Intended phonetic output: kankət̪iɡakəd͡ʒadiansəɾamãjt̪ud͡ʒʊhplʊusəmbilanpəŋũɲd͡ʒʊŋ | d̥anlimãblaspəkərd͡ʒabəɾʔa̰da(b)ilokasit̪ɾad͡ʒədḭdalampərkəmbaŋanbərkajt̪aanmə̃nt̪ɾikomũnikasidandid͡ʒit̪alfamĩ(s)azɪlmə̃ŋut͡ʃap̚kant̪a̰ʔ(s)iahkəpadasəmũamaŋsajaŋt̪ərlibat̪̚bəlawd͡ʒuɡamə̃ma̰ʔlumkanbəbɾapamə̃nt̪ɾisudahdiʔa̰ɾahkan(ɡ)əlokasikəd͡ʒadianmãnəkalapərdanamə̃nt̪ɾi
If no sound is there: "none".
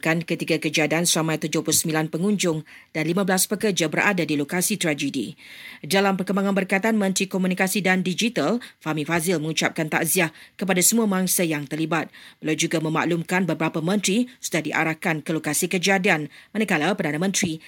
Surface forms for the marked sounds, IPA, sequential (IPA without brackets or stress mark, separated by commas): d, f, z, k